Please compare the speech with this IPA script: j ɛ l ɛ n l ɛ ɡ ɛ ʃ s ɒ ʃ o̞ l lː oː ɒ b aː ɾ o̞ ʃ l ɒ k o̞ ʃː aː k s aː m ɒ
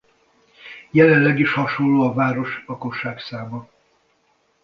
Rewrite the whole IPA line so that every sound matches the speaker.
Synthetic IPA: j ɛ l ɛ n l ɛ ɡ i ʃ h ɒ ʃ o̞ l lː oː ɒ v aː ɾ o̞ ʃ l ɒ k o̞ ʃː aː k s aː m ɒ